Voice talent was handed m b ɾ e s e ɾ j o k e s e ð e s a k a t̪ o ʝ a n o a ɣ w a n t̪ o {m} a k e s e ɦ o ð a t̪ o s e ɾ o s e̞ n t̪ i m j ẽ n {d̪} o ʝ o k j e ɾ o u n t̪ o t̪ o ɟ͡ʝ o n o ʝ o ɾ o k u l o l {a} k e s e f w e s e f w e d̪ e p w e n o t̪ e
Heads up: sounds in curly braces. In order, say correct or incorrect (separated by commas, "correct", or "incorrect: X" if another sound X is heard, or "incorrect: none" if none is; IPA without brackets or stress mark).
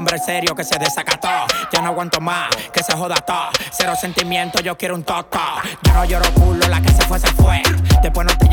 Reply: correct, incorrect: t̪, correct